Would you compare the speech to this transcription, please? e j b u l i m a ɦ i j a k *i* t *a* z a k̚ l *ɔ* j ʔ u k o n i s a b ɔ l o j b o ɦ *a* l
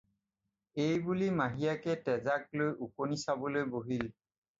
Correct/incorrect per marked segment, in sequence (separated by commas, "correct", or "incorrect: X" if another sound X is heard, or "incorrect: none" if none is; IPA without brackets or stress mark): incorrect: ɛ, incorrect: ɛ, incorrect: o, incorrect: i